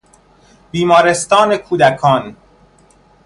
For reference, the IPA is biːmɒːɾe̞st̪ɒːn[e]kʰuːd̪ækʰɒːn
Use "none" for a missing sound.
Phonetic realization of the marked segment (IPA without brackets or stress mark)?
e